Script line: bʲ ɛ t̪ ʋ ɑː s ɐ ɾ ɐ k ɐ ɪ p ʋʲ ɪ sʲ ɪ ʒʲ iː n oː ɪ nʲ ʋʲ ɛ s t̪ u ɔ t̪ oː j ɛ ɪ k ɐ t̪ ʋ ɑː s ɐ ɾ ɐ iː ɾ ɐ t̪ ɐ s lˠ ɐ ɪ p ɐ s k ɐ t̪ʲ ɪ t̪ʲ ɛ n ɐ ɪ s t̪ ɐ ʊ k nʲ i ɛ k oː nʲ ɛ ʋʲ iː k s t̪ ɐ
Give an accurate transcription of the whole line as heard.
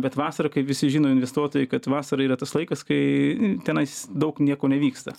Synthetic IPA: bʲ ɛ t̪ ʋ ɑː s ɐ ɾ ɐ k ɐ ɪ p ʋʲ ɪ sʲ ɪ ʒʲ iː n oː ɪ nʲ ʋʲ ɛ s t̪ u ɔ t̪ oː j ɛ ɪ k ɐ t̪ ʋ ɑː s ɐ ɾ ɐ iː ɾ ɐ t̪ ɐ s lˠ ɐ ɪ k ɐ s k ɐ ɪ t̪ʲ ɛ n ɐ ɪ s d̪ ɐ ʊ k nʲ i ɛ k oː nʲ ɛ ʋʲ iː k s t̪ ɐ

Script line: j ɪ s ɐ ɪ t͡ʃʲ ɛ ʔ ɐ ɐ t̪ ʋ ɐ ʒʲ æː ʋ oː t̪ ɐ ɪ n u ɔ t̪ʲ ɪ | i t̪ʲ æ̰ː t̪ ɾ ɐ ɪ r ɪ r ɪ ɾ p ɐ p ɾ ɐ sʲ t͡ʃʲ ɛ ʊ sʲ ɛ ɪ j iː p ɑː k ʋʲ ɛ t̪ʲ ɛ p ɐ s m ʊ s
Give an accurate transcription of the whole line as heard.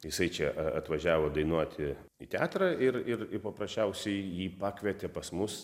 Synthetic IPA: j ɪ s ɐ ɪ t͡ʃʲ ɛ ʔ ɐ ɐ t̪ ʋ ɐ ʒʲ æː ʋ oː d̪ ɐ ɪ n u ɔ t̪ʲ ɪ | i t̪ʲ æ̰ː t̪ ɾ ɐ ɪ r ɪ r ɪ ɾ p ɐ p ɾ ɐ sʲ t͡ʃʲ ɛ ʊ sʲ ɛ ɪ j iː p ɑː k ʋʲ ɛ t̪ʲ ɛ p ɐ s m ʊ s

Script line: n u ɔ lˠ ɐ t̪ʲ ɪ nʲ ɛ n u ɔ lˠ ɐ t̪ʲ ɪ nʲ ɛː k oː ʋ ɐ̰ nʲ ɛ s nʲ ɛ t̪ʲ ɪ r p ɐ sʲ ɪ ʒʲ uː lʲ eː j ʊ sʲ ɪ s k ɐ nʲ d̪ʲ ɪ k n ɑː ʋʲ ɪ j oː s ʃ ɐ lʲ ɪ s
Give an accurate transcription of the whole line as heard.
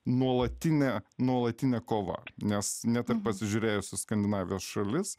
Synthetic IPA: n u ɔ lˠ ɐ t̪ʲ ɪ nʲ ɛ n u ɔ lˠ ɐ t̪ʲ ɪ nʲ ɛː k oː ʋ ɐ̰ nʲ ɛ s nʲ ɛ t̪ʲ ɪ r p ɐ sʲ ɪ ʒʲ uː ɾʲ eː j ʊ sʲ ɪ s k ɐ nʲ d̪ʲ ɪ n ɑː ʋʲ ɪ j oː s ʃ ɐ lʲ ɪ s

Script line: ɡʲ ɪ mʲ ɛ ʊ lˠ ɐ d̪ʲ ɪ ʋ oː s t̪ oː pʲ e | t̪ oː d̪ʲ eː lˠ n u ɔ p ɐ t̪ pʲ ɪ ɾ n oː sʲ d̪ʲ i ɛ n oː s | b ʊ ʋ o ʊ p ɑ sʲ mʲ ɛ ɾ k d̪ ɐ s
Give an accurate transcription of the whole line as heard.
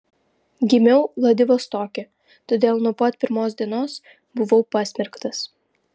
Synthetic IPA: ɡʲ ɪ mʲ ɛ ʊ lˠ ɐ d̪ʲ ɪ ʋ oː s t̪ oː kʲ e | t̪ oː d̪ʲ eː lˠ n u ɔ p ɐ t̪ pʲ ɪ ɾ m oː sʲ d̪ʲ i ɛ n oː s | b ʊ ʋ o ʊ p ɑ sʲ mʲ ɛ ɾ k t̪ ɐ s

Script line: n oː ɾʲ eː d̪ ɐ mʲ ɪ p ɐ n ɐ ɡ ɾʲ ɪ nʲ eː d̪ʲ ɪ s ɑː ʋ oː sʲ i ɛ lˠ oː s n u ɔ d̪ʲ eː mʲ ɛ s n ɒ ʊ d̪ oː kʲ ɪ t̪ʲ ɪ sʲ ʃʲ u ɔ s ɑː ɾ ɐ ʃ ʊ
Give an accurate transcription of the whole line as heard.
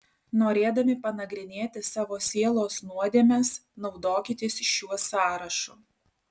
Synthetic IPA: n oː ɾʲ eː d̪ ɐ mʲ ɪ p ɐ n ɐ ɡ ɾʲ ɪ nʲ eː t̪ʲ ɪ s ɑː ʋ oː sʲ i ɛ lˠ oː s n u ɔ d̪ʲ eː mʲ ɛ s n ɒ ʊ d̪ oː kʲ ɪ t̪ʲ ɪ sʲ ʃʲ u ɔ s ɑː ɾ ɐ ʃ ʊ

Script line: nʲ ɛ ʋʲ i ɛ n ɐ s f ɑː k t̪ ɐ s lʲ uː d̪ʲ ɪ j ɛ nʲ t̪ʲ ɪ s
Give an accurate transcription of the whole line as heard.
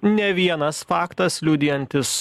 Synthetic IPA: nʲ ɛ ʋʲ i ɛ n ɐ s f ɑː k t̪ ɐ s lʲ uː d̪ʲ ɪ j ɛ nʲ t̪ʲ ɪ s

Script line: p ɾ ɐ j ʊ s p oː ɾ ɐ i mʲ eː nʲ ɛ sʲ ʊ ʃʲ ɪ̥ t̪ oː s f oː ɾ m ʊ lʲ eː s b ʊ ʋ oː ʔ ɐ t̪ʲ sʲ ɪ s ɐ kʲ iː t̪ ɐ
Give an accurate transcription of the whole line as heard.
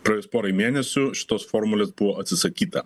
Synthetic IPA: p ɾ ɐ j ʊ s p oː ɾ ɐ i mʲ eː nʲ ɛ sʲ ʊ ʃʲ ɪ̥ t̪ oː s f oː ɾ m ʊ lʲ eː s b ʊ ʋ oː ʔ ɐ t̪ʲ sʲ ɪ s ɐ kʲ iː t̪ ɐ

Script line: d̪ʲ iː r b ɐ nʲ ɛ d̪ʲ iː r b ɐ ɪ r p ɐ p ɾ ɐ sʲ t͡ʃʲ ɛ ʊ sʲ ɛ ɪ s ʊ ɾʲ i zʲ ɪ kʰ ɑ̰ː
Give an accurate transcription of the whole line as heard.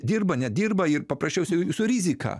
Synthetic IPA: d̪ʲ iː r b ɐ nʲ ɛ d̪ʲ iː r b ɐ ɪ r p ɐ p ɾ ɐ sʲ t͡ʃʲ ɛ ʊ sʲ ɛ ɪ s ʊ ɾʲ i zʲ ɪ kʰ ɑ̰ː

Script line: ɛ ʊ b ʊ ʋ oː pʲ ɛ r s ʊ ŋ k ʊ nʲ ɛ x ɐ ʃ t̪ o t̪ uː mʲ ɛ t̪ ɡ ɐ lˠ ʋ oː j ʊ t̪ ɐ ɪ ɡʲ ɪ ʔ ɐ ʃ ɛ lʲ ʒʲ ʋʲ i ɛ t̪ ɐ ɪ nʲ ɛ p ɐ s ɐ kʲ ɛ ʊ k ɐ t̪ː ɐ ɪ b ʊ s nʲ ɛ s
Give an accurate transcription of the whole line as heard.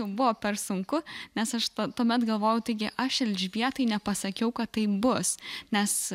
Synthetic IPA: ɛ ʊ b ʊ ʋ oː pʲ ɛ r s ʊ ŋ k ʊ nʲ ɛ s ɐ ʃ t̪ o t̪ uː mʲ ɛ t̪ ɡ ɐ lˠ ʋ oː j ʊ t̪ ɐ ɪ ɡʲ ɪ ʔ ɐ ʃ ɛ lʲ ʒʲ ʋʲ i ɛ t̪ ɐ ɪ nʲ ɛ p ɐ s ɐ kʲ ɛ ʊ k ɐ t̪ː ɐ ɪ b ʊ s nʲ ɛ s

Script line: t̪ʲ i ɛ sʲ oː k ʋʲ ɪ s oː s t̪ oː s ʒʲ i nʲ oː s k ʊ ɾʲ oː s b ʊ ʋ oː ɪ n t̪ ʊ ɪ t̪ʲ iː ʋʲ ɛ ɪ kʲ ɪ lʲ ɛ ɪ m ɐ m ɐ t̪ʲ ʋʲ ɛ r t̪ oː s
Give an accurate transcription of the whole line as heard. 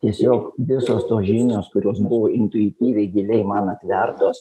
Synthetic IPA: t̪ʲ i ɛ sʲ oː k ʋʲ ɪ s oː s t̪ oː s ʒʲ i nʲ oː s k ʊ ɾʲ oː s b ʊ ʋ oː ɪ n t̪ ʊ ɪ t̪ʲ iː ʋʲ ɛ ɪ ɡʲ ɪ lʲ ɛ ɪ m ɐ n ɐ t̪ʲ ʋʲ ɛ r t̪ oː s

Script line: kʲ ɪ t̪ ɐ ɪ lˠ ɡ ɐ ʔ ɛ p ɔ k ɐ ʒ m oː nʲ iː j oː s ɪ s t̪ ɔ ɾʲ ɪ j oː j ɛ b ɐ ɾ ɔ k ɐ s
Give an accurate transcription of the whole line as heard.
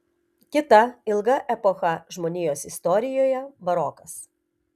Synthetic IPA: kʲ ɪ t̪ ɐ ɪ lˠ ɡ ɐ ʔ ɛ p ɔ x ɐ ʒ m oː nʲ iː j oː s ɪ s t̪ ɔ ɾʲ ɪ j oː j ɛ b ɐ ɾ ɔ k ɐ s

